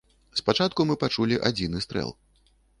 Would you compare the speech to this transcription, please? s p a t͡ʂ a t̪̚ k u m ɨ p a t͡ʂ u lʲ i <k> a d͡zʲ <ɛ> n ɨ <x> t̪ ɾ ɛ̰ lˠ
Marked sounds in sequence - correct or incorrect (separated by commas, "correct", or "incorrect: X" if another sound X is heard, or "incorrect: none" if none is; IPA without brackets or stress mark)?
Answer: incorrect: ʔ, incorrect: i, incorrect: s